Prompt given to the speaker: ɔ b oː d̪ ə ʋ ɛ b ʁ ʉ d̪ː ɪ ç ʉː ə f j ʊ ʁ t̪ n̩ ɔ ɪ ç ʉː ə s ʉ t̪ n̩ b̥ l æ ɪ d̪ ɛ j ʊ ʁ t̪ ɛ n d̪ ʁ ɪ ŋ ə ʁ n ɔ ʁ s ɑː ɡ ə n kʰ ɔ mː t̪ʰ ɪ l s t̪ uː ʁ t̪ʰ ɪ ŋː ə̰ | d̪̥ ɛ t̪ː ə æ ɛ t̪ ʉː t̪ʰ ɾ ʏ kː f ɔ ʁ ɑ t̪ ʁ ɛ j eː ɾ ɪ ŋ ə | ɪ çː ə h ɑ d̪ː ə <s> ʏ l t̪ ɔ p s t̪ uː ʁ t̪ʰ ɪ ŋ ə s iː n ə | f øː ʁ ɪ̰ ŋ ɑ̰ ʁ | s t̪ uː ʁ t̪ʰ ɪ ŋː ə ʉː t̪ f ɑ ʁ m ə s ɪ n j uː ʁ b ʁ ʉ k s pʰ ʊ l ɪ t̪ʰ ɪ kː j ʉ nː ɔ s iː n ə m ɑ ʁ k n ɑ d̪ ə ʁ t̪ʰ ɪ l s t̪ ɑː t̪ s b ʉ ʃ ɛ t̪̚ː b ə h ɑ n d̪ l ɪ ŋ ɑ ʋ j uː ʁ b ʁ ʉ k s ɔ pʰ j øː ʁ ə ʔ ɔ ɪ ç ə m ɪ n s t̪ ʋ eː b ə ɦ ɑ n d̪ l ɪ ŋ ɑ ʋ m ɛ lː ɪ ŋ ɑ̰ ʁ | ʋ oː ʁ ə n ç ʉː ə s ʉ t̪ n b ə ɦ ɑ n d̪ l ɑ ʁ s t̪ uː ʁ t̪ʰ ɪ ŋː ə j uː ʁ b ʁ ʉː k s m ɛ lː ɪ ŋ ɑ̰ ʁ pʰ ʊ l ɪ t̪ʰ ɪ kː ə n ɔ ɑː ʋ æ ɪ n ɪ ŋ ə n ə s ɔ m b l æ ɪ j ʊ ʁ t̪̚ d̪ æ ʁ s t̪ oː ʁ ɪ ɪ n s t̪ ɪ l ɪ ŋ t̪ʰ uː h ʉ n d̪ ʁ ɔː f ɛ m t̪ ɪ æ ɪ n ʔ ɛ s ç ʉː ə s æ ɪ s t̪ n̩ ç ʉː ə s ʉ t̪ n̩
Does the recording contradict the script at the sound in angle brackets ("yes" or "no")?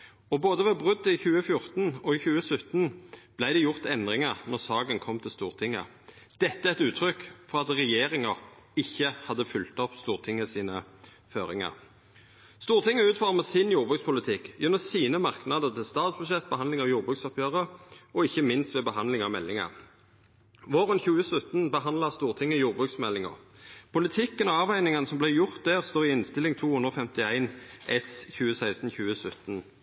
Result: yes